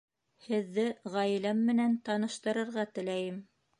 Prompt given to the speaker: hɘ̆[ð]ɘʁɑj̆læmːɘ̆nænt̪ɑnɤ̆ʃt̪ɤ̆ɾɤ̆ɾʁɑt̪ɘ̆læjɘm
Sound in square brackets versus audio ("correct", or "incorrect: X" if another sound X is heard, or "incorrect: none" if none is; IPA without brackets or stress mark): incorrect: ðː